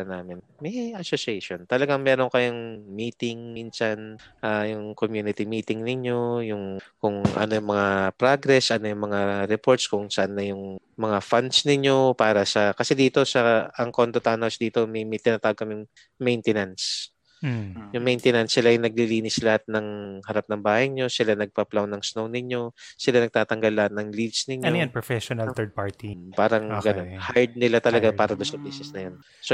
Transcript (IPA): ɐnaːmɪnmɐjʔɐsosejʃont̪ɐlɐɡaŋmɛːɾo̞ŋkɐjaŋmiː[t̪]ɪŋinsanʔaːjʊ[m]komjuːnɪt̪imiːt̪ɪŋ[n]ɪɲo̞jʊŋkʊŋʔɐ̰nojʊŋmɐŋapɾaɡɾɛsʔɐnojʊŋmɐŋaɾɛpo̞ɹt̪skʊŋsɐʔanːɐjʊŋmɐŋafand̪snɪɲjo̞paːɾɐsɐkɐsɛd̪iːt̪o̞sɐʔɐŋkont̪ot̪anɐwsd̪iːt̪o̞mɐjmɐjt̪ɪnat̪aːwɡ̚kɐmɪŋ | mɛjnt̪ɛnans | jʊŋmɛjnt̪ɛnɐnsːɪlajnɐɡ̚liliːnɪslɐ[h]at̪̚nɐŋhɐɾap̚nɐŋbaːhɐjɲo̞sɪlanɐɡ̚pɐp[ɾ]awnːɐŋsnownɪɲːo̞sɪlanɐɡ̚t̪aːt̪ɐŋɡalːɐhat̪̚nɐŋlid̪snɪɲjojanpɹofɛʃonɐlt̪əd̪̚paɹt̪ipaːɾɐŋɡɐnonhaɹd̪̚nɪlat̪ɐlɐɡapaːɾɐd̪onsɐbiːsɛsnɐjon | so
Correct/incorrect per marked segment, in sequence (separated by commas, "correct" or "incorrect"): correct, incorrect, correct, correct, incorrect